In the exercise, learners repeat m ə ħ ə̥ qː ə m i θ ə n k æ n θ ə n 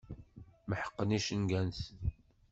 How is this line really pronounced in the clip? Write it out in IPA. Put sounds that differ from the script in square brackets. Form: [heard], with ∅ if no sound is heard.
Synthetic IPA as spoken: m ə ħ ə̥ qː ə [n] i [ʃ] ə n [ɡ] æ n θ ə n